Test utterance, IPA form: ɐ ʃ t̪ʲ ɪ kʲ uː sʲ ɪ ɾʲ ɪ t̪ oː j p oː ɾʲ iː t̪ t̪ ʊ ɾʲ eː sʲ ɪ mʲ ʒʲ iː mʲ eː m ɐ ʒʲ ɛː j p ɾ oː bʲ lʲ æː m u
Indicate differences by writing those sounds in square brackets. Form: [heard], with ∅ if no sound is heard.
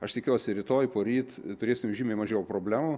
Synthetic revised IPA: ɐ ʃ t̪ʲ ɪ kʲ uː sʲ ɪ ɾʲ ɪ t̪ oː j p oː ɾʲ iː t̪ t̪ ʊ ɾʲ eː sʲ ɪ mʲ ʒʲ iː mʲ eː m ɐ ʒʲ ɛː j p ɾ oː bʲ lʲ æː m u